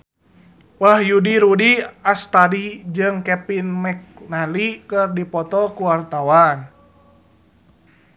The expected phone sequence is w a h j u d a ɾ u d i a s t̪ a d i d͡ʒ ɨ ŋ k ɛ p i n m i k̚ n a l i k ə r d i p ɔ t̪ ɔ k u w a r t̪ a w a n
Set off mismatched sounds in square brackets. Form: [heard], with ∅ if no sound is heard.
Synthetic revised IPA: w a h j u d [i] ɾ u d i a s t̪ a d i d͡ʒ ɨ ŋ k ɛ p i n m [ɛ] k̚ n a l i k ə r d i p ɔ t̪ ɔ k u w a r t̪ a w a n